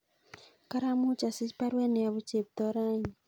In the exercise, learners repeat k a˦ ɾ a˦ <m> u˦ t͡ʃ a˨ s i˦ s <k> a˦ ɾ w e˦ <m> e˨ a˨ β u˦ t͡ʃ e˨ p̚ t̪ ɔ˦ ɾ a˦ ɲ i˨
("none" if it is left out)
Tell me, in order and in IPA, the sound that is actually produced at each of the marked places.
m, p, n

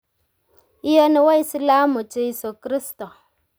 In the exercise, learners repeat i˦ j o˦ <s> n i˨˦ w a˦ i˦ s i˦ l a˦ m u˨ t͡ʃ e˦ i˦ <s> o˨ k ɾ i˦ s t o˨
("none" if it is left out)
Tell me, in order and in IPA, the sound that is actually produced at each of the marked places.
none, s

